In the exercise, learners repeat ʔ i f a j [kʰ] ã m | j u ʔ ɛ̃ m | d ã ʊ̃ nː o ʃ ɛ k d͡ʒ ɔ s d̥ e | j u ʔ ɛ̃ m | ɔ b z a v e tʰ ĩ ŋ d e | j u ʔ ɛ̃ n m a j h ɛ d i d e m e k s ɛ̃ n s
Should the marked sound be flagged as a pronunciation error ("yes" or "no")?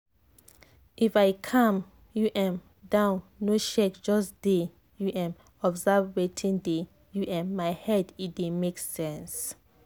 no